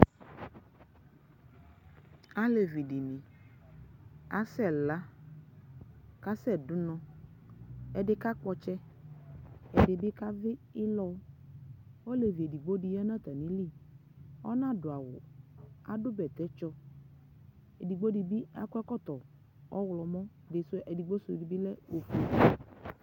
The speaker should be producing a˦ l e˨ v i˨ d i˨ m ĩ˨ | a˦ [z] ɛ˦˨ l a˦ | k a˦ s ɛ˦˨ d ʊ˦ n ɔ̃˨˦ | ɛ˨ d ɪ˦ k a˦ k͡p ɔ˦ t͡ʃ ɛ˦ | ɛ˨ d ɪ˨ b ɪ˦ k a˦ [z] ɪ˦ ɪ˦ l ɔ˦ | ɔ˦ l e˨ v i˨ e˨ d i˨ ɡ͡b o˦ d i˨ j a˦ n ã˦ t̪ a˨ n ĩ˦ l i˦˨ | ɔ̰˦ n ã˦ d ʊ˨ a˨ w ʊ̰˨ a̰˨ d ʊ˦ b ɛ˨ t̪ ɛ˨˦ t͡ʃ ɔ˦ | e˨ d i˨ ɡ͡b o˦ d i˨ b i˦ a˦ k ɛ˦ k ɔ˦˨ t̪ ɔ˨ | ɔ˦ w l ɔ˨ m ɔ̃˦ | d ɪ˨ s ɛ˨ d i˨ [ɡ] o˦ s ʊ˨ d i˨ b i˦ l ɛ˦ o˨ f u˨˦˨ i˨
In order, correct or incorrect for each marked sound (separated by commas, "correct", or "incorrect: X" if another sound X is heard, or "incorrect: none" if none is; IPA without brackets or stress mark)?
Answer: incorrect: s, incorrect: v, incorrect: ɡ͡b